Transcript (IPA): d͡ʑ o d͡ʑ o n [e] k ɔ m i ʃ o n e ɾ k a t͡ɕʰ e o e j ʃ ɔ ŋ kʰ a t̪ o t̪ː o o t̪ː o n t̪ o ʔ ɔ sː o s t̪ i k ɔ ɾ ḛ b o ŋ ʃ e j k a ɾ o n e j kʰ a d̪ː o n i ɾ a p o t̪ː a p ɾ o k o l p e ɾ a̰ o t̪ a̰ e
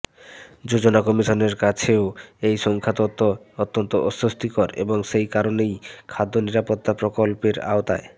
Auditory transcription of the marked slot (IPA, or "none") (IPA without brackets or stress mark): a